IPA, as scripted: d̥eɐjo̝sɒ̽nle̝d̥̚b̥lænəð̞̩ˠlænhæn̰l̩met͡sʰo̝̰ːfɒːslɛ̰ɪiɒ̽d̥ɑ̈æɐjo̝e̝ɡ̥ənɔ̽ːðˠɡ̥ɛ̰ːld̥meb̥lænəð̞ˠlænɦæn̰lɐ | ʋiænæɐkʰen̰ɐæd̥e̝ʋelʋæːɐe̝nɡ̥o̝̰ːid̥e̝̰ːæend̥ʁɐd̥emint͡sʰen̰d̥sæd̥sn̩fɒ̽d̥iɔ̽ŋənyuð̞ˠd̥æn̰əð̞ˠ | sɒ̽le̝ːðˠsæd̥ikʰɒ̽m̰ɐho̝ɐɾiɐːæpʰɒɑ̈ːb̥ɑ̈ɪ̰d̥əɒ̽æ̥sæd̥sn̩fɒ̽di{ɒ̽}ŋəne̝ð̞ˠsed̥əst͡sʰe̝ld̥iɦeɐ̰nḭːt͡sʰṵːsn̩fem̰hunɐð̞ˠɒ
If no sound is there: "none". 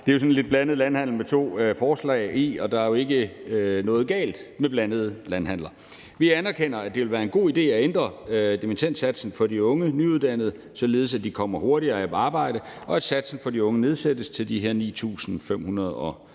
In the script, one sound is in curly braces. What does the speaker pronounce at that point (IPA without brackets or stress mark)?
ɔ̽